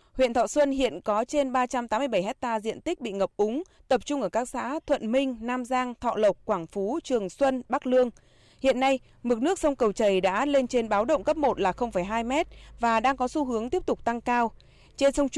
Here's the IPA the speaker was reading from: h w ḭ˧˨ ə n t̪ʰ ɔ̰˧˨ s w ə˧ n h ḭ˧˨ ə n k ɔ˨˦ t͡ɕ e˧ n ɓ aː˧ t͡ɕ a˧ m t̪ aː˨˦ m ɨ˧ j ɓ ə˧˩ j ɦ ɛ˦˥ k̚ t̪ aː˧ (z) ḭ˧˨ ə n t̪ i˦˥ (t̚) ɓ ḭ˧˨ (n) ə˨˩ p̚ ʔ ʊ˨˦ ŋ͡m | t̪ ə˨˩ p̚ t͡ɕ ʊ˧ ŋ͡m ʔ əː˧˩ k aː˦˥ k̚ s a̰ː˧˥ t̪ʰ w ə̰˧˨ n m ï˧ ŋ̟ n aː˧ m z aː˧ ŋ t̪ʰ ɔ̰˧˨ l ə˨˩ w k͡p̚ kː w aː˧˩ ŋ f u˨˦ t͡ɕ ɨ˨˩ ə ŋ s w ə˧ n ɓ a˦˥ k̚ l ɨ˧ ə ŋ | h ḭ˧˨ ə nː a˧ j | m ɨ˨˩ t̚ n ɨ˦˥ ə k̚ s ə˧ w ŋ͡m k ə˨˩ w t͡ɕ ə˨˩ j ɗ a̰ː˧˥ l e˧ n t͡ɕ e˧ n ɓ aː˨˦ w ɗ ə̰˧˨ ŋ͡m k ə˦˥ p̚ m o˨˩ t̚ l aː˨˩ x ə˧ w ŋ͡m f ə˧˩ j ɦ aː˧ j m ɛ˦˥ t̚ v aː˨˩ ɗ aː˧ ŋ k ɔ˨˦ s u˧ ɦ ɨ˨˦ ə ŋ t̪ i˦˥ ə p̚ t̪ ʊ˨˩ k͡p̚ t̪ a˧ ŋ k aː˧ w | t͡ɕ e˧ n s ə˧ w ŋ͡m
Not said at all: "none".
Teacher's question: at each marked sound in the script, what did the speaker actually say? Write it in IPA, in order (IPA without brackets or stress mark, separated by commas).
z, k̚, ŋ